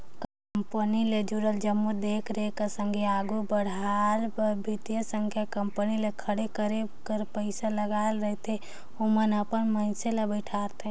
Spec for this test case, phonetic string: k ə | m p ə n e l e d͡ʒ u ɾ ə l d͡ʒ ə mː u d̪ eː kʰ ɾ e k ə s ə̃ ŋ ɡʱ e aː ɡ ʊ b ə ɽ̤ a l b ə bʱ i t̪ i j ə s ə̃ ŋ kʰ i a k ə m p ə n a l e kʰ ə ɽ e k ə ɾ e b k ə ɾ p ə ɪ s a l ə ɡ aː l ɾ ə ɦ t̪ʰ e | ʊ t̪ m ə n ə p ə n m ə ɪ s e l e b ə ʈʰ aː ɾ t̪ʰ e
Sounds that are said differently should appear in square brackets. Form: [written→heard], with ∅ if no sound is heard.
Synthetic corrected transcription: k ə | m p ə n [e→i] l e d͡ʒ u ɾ ə l d͡ʒ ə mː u d̪ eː kʰ ɾ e k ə s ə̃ ŋ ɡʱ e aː ɡ [ʊ→u] b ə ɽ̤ a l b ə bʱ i t̪ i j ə s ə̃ ŋ kʰ [i→j] a k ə m p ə n [a→i] l e kʰ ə ɽ e k ə ɾ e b k ə ɾ p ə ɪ s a l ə ɡ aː l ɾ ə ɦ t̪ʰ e | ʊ [t̪→∅] m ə n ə p ə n m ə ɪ s e l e b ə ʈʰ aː ɾ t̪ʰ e

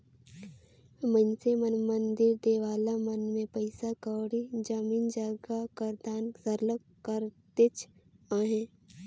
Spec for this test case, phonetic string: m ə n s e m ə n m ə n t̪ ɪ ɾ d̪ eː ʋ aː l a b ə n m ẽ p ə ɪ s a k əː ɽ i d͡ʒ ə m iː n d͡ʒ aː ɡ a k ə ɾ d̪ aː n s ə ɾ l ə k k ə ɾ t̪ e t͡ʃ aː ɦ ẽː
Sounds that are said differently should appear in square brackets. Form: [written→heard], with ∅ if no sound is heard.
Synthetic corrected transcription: m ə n s e m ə n m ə n [t̪→d̪] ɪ ɾ d̪ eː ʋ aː l a [b→m] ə n m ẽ p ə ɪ s a k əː ɽ i d͡ʒ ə m iː n d͡ʒ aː ɡ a k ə ɾ d̪ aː n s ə ɾ l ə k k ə ɾ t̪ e t͡ʃ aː ɦ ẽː

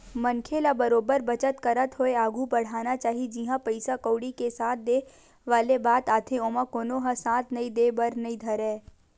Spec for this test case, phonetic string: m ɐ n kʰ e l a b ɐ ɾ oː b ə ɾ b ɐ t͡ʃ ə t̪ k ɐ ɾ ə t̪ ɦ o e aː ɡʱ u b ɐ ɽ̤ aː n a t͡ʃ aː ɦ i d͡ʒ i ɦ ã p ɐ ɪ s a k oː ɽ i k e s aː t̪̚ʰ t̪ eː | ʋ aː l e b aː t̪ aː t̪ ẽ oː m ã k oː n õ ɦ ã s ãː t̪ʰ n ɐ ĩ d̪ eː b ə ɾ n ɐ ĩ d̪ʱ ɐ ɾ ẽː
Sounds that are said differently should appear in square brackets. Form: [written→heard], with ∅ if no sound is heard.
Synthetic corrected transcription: m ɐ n kʰ e l a b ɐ ɾ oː b ə ɾ b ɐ t͡ʃ ə t̪ k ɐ ɾ ə t̪ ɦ o e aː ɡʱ u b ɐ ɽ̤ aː n a t͡ʃ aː ɦ i d͡ʒ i ɦ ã p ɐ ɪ s a k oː ɽ i k e s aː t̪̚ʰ [t̪→d̪] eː | ʋ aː l e b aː t̪ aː [t̪→t̪ʰ] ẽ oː m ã k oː n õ ɦ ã s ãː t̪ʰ n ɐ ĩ d̪ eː b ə ɾ n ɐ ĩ d̪ʱ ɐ ɾ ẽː

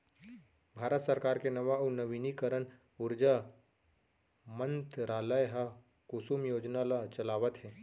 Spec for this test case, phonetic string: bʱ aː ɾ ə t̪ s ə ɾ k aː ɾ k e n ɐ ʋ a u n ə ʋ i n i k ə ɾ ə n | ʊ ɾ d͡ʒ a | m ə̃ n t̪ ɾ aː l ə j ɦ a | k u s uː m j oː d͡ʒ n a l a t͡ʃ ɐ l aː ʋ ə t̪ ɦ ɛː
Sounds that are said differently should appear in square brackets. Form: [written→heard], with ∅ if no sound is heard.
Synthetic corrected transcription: bʱ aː ɾ ə t̪ s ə ɾ k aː ɾ k e n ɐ ʋ a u n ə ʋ i n i k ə ɾ ə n | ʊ ɾ d͡ʒ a | m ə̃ n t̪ ɾ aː l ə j ɦ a | k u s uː m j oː d͡ʒ n a l a t͡ʃ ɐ l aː ʋ ə t̪ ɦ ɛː

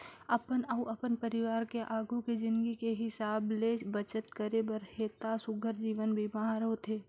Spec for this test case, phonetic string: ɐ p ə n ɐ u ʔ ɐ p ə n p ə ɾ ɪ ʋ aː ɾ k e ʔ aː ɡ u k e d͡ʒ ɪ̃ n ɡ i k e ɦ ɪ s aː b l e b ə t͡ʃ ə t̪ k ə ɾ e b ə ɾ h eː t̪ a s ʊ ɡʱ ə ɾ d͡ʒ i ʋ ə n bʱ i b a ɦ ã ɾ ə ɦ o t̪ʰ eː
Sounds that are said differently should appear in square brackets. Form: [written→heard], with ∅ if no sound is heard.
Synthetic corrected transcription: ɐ p ə n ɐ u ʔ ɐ p ə n p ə ɾ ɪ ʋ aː ɾ k e ʔ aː ɡ u k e d͡ʒ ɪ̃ n ɡ i k e ɦ ɪ s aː b l e b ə t͡ʃ ə t̪ k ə ɾ e b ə ɾ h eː t̪ a s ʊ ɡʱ ə ɾ d͡ʒ [i→iː] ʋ ə n bʱ i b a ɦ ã ɾ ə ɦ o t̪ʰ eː

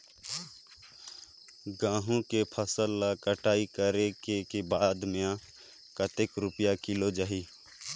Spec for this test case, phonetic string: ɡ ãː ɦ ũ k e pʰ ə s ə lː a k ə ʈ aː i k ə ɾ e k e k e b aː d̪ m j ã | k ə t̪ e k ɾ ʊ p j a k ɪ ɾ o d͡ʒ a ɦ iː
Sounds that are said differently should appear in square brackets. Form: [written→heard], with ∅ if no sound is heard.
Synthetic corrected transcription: ɡ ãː ɦ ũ k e pʰ ə s ə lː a k ə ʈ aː i k ə ɾ e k e k e b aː d̪ m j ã | k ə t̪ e k ɾ ʊ p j a k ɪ [ɾ→l] o d͡ʒ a ɦ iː

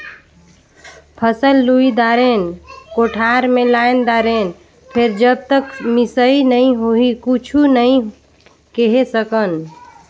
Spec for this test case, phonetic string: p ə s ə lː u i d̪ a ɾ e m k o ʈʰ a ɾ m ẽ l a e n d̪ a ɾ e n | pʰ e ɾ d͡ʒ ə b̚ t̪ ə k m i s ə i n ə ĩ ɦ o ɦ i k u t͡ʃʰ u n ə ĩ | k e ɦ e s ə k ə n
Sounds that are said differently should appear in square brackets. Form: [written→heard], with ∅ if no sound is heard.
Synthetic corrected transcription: [p→pʰ] ə s ə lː u i d̪ a ɾ e [m→n] k o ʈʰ a ɾ m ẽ l a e n d̪ a ɾ e n | pʰ e ɾ d͡ʒ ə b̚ t̪ ə k m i s ə i n ə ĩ ɦ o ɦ i k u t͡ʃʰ u n ə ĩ | k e ɦ e s ə k ə n

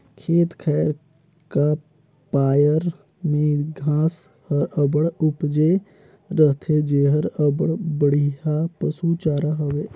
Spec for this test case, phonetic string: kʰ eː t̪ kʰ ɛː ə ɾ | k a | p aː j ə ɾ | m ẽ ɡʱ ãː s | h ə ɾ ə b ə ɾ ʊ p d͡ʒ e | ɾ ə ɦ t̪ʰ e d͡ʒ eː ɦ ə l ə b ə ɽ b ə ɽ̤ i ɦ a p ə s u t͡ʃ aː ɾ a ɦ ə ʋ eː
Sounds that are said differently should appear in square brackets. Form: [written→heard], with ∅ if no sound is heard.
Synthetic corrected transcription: kʰ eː t̪ kʰ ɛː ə ɾ | k a | p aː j ə ɾ | m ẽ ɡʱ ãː s | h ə ɾ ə b ə [ɾ→ɽ] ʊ p d͡ʒ e | ɾ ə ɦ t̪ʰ e d͡ʒ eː ɦ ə [l→ɾ] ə b ə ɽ b ə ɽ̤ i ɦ a p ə s u t͡ʃ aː ɾ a ɦ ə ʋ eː

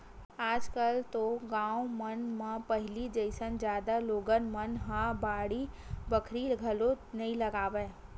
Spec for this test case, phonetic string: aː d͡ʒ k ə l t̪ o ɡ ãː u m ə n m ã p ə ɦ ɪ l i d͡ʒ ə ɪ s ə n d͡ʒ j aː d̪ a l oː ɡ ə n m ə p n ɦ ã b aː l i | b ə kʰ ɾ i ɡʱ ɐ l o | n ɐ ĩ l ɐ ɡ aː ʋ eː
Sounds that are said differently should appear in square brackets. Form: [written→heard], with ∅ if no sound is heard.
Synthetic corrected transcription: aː d͡ʒ k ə l t̪ o ɡ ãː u m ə n m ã p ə ɦ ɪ l i d͡ʒ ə ɪ s ə n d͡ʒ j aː d̪ a l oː ɡ ə n m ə [p→∅] n ɦ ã b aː [l→ɽ] i | b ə kʰ ɾ i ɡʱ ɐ l o | n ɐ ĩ l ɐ ɡ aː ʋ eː

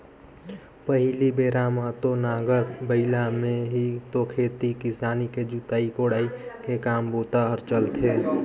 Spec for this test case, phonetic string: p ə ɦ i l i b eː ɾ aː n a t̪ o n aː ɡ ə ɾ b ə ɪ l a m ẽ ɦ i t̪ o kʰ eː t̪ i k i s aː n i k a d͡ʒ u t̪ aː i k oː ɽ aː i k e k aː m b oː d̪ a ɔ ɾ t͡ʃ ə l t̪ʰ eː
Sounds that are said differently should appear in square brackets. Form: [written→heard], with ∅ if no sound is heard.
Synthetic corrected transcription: p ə ɦ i l i b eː ɾ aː [n→m] a t̪ o n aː ɡ ə ɾ b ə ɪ l a m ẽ ɦ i t̪ o kʰ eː t̪ i k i s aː n i k [a→e] d͡ʒ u t̪ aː i k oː ɽ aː i k e k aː m b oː [d̪→t̪] a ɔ ɾ t͡ʃ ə l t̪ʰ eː

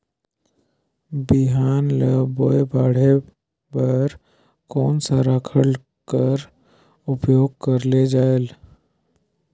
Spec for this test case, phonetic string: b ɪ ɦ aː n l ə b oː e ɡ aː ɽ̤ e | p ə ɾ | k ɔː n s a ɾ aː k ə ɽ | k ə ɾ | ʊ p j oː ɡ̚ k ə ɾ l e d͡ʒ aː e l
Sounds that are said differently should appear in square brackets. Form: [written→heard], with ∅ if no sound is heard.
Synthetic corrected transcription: b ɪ ɦ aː n l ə b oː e [ɡ→b] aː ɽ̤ e | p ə ɾ | k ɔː n s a ɾ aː [k→kʰ] ə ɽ | k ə ɾ | ʊ p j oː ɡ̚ k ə ɾ l e d͡ʒ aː e l

